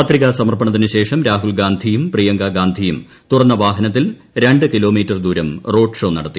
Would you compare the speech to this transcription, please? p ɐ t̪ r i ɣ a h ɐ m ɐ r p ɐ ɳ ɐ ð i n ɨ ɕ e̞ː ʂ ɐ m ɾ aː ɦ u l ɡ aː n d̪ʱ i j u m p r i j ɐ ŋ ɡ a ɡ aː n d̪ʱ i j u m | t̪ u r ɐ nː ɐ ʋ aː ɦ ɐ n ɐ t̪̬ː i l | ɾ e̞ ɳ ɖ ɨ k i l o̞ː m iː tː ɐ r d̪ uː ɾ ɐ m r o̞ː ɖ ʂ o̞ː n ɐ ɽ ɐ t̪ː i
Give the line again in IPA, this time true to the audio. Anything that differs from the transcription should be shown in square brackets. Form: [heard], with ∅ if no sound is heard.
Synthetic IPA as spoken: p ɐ t̪ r i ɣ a [s] ɐ m ɐ r p ɐ ɳ ɐ ð i n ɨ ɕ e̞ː ʂ ɐ m ɾ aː ɦ u l ɡ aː n d̪ʱ i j u m p r i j ɐ ŋ ɡ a ɡ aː n d̪ʱ i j u m | t̪ u r ɐ nː ɐ ʋ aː ɦ ɐ n ɐ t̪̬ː i l | ɾ e̞ ɳ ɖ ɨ k i l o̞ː m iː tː ɐ r d̪ uː ɾ ɐ m r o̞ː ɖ ʂ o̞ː n ɐ ɽ ɐ t̪ː i